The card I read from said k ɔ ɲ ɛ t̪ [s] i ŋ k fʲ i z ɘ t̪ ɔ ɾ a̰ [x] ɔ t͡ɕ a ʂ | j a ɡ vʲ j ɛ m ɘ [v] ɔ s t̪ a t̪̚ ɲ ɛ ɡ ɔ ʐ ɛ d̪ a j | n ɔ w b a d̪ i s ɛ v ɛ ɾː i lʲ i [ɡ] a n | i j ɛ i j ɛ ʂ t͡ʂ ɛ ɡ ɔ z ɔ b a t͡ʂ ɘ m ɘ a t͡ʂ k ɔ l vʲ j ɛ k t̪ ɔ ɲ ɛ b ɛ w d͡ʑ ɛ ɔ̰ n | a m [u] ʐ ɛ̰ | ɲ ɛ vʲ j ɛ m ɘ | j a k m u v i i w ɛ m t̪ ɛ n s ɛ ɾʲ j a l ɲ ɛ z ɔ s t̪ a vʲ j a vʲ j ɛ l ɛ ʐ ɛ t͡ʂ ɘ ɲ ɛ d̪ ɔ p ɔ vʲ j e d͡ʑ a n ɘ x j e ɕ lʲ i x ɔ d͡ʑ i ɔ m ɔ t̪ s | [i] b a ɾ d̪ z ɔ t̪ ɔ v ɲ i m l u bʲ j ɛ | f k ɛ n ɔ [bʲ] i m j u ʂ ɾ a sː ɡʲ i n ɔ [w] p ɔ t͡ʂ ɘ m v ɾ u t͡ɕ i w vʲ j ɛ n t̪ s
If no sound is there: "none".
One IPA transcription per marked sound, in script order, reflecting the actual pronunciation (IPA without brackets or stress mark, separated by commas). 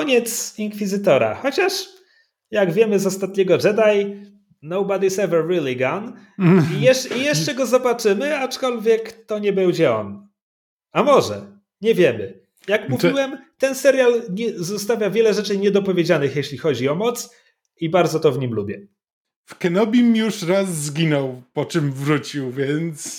s, x, z, ɡ, ɔ, i, bʲ, w